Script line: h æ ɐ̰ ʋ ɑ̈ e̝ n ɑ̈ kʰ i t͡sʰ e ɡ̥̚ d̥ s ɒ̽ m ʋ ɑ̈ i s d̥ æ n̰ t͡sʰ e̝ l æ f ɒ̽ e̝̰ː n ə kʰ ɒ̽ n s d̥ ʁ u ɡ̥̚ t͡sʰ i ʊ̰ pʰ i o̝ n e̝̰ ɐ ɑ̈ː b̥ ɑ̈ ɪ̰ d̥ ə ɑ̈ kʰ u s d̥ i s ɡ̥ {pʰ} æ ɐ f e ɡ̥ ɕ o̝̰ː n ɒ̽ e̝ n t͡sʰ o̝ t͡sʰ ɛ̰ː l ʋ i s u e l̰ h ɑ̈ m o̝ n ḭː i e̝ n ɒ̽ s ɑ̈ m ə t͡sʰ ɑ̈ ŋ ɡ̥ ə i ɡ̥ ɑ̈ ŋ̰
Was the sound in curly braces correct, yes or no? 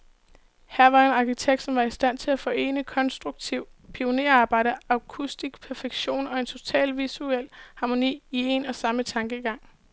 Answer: yes